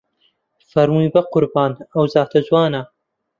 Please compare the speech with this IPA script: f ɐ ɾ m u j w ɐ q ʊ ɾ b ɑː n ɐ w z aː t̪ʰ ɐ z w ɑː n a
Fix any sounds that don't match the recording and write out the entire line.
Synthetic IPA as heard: f ɐ ɾ m u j b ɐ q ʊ ɾ b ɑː n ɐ w z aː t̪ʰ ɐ z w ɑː n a